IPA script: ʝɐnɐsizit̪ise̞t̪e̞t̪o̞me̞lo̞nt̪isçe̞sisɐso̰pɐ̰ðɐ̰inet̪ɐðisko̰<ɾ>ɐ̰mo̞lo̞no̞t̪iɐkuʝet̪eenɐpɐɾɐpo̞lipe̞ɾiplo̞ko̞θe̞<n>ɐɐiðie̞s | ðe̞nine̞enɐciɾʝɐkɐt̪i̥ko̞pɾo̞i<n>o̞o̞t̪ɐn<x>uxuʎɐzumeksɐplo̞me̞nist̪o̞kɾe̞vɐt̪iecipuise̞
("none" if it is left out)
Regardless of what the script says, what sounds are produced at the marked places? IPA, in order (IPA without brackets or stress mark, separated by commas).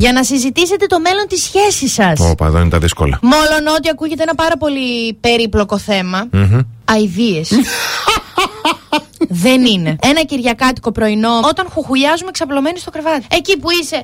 l, m, n, x